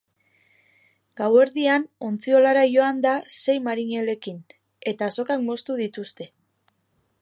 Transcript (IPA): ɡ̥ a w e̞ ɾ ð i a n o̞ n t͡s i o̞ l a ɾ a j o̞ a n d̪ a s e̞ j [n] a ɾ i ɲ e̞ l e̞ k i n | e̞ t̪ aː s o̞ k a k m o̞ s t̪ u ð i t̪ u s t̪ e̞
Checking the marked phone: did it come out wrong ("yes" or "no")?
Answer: yes